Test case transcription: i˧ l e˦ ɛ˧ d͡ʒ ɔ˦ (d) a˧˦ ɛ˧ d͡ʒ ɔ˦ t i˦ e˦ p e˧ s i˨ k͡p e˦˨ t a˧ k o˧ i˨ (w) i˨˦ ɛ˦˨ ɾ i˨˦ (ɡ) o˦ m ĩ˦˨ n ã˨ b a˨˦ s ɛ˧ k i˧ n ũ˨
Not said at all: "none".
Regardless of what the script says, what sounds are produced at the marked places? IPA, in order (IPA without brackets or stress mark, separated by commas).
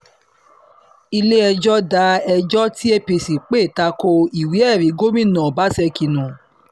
d, w, ɡ